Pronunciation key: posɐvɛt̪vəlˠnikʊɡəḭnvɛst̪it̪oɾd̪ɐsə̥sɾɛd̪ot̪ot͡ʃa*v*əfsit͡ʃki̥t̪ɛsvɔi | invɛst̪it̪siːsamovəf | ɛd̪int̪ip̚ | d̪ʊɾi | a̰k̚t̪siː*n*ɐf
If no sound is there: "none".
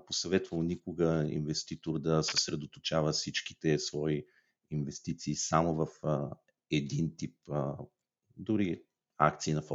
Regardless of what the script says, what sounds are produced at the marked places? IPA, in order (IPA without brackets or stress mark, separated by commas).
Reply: v, n